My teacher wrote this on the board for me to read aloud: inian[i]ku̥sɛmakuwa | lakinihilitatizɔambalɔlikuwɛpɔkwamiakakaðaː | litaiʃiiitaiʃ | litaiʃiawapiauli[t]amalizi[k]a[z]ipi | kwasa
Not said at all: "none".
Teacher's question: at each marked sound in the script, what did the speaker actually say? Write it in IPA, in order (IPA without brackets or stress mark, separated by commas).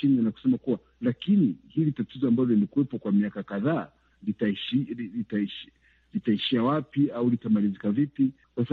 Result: a, t, k, v